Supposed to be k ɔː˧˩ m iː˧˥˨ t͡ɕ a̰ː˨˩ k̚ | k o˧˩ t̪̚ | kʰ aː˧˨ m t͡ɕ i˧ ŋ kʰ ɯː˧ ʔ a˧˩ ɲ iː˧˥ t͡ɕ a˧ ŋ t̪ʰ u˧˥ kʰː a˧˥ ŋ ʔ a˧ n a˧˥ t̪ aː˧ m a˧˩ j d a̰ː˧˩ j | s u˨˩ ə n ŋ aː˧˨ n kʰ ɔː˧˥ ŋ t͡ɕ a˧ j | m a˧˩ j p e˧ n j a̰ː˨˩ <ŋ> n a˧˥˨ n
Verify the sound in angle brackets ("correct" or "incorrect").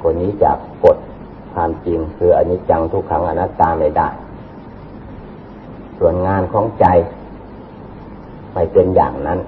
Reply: correct